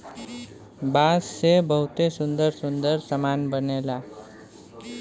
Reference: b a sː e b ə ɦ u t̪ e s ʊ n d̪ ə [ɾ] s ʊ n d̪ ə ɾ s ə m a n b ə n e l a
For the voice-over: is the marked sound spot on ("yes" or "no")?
yes